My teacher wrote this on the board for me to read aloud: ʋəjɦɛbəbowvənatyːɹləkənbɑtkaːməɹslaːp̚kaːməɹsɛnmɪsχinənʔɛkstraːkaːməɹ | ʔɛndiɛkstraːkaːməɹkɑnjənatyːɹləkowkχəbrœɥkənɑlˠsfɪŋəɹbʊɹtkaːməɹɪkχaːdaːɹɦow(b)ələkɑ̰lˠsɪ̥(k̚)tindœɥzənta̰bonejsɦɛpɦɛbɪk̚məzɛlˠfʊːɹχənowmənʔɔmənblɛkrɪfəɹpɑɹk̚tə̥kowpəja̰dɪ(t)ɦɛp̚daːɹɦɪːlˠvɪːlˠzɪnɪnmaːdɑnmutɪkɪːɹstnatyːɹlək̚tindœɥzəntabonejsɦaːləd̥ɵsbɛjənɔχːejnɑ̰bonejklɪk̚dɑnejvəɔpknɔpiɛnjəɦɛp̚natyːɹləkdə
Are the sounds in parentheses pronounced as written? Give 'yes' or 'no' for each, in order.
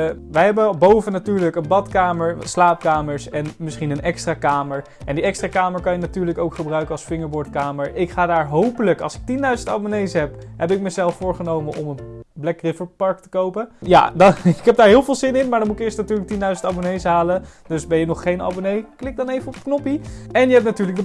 no, yes, no

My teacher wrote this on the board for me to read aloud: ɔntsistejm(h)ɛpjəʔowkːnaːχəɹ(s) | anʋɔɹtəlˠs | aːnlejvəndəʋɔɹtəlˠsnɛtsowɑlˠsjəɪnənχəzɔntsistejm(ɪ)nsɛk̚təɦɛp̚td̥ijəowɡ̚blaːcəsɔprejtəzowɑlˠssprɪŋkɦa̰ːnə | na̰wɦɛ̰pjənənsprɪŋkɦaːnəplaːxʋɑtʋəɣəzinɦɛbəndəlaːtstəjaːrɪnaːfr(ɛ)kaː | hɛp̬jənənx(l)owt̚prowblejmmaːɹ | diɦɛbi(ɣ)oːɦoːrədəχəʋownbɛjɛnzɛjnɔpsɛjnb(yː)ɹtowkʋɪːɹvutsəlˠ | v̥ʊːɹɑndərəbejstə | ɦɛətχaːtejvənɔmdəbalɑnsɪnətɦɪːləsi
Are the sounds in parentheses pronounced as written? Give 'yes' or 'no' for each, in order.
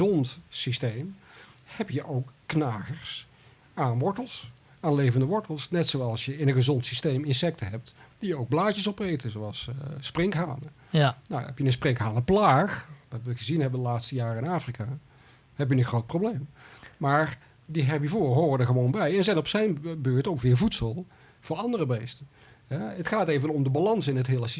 yes, yes, yes, no, no, no, no

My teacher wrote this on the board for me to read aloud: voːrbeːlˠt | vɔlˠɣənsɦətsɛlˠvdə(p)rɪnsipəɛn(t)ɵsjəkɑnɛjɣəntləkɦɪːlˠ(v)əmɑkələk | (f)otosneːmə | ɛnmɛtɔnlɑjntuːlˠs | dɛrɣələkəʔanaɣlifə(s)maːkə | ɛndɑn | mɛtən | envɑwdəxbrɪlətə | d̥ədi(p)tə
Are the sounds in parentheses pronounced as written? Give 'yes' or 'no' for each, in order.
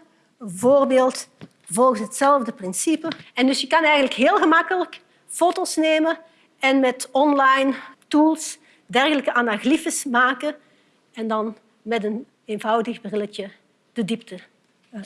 yes, no, no, yes, yes, yes

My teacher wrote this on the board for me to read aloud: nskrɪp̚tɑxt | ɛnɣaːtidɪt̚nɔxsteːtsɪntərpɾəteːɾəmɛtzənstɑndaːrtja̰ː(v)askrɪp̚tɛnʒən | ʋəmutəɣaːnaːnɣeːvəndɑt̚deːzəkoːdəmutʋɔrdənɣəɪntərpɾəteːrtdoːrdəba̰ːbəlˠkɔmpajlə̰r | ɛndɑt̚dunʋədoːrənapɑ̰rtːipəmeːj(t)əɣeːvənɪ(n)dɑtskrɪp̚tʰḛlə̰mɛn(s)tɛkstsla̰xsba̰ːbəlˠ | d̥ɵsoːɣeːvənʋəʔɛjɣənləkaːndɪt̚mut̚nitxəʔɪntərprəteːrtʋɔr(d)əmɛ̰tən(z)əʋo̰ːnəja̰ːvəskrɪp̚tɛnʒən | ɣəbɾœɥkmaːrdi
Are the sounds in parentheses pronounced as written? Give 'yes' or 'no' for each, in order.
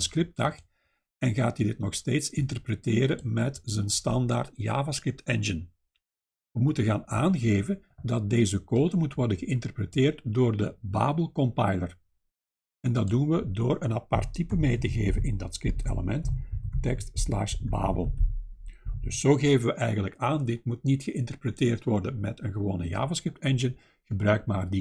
yes, yes, yes, no, yes, no

